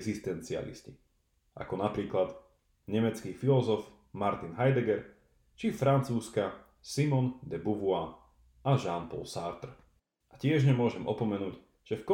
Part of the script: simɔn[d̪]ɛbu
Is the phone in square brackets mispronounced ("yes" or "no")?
no